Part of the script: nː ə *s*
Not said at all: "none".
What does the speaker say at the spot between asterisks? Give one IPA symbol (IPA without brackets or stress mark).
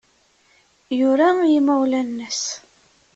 s